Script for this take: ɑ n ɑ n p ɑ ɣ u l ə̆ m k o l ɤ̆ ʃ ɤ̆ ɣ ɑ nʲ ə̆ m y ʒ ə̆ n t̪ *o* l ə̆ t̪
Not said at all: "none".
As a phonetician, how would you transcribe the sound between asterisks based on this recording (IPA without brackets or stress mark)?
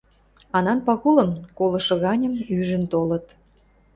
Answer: o